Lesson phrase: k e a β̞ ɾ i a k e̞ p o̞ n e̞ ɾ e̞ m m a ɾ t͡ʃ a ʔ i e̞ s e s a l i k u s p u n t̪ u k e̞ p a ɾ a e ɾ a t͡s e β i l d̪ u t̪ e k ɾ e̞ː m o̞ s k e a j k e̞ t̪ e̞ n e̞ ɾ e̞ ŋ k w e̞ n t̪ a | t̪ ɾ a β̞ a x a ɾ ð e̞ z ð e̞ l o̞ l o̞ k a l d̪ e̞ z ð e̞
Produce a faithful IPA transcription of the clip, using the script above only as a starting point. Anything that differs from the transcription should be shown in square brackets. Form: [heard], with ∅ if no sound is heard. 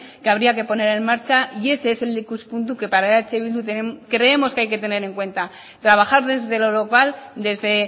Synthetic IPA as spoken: k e a β̞ ɾ i a k e̞ p o̞ n e̞ ɾ e̞ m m a ɾ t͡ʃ a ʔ i e̞ s e s [e] l i k u s p u n t̪ u k e̞ p a ɾ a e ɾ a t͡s e β i l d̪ u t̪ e k ɾ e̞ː m o̞ s k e a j k e̞ t̪ e̞ n e̞ ɾ e̞ ŋ k w e̞ n t̪ a | t̪ ɾ a β̞ a x a ɾ ð e̞ z ð e̞ l o̞ l o̞ k a l d̪ e̞ z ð e̞